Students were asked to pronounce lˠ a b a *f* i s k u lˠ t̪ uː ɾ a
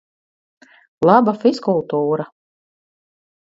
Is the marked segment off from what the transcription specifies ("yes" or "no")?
no